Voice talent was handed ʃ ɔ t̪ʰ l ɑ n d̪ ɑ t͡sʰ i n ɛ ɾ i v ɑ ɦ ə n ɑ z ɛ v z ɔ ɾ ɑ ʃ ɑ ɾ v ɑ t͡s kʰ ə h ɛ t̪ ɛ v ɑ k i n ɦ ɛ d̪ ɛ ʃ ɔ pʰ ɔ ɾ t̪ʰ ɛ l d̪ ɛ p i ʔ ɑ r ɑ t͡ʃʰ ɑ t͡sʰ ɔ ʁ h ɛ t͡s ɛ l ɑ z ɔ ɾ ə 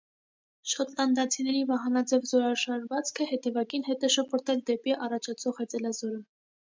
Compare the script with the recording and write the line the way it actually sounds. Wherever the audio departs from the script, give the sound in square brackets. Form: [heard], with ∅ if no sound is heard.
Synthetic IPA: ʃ ɔ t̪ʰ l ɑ n d̪ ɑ t͡sʰ i n ɛ ɾ i v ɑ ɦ [ɑ] n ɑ [d͡z] ɛ v z ɔ ɾ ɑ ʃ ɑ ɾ v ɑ t͡s kʰ ə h ɛ t̪ ɛ v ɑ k i n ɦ ɛ [t̪] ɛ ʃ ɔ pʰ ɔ ɾ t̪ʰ ɛ l d̪ ɛ p i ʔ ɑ r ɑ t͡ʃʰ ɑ t͡sʰ ɔ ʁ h ɛ t͡s ɛ l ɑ z ɔ ɾ ə